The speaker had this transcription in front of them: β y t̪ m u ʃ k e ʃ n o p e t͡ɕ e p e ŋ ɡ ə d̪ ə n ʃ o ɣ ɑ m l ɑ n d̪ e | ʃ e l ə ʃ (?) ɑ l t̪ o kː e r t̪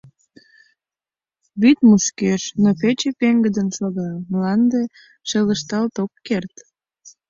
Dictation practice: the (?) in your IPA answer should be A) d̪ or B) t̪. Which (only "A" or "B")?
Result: B